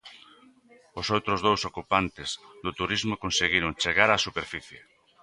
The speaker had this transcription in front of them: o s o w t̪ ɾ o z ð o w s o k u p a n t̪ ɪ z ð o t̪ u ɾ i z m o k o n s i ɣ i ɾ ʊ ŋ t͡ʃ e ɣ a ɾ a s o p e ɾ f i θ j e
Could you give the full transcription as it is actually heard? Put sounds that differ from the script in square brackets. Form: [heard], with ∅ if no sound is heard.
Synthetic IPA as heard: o s o w t̪ ɾ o z ð o w s o k u p a n t̪ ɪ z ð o t̪ u ɾ i z m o k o n s [e] ɣ i ɾ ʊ ŋ t͡ʃ e ɣ a ɾ a s [u] p e ɾ f i θ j e